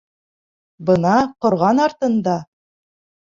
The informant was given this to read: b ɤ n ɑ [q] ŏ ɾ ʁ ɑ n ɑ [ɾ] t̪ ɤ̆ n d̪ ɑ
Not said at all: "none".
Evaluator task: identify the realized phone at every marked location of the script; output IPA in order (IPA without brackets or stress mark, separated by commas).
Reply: q, ɾ